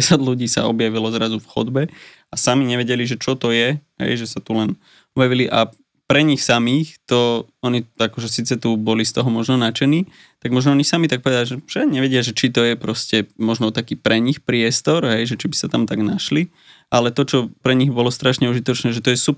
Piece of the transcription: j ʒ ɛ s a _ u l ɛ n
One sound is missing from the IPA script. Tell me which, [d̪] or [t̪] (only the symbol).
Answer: t̪